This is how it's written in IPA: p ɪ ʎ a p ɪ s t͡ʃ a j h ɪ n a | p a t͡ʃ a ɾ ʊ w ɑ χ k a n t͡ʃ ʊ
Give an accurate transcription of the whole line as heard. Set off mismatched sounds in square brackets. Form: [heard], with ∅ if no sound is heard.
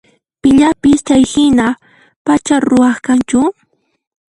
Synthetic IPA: p ɪ ʎ a p ɪ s t͡ʃ a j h ɪ n a | p a t͡ʃ a ɾ ʊ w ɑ χ k a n t͡ʃ ʊ